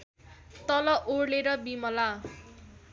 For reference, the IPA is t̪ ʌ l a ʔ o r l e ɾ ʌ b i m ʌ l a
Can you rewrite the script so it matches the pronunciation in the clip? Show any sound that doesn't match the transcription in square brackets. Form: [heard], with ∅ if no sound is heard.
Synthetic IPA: t̪ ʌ l [ʌ] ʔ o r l e ɾ ʌ b i m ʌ l a